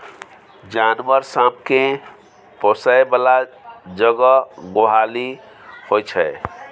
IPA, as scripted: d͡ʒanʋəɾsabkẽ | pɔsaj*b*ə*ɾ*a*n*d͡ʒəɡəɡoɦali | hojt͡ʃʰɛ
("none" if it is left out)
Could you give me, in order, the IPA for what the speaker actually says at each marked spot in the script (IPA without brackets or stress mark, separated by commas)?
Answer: b, l, none